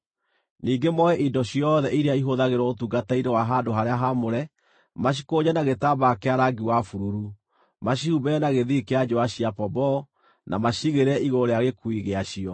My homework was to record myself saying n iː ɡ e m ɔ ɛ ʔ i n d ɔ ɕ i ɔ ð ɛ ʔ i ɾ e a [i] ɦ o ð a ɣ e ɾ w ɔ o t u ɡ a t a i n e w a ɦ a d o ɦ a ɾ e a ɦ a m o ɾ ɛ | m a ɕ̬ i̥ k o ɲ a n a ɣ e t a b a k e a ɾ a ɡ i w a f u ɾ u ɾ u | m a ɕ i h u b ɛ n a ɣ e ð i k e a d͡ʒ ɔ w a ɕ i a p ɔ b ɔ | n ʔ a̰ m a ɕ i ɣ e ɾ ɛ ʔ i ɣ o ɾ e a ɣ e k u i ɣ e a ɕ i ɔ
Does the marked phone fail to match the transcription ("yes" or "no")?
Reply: no